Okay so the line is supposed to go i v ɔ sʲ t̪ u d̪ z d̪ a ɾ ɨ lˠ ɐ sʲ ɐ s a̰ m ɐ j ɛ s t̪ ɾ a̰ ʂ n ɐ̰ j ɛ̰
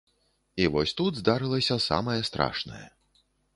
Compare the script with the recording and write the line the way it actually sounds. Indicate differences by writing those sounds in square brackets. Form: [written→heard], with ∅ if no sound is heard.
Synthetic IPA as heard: i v ɔ sʲ t̪ u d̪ z d̪ a ɾ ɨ lˠ ɐ sʲ ɐ s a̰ m ɐ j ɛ s t̪ ɾ a̰ ʂ n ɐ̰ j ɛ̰